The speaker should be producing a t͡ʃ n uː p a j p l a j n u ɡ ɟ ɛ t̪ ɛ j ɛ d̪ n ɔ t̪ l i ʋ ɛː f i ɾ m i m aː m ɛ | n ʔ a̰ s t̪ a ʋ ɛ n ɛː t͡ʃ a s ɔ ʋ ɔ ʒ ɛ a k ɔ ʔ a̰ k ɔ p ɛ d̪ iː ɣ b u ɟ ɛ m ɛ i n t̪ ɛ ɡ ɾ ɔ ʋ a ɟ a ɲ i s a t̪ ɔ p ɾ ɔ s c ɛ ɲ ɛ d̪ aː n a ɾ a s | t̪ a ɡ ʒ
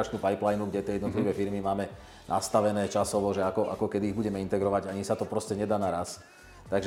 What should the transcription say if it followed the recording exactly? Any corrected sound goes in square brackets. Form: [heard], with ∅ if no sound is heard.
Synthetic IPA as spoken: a t͡ʃ n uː p a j p l a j n u ɡ ɟ ɛ t̪ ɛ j ɛ d̪ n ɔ t̪ l i ʋ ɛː f i ɾ m i m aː m ɛ | n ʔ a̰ s t̪ a ʋ ɛ n ɛː t͡ʃ a s ɔ ʋ ɔ ʒ ɛ a k ɔ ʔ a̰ k ɔ [k] ɛ d̪ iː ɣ b u ɟ ɛ m ɛ i n t̪ ɛ ɡ ɾ ɔ ʋ a ɟ a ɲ i s a t̪ ɔ p ɾ ɔ s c ɛ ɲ ɛ d̪ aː n a ɾ a s | t̪ a ɡ ʒ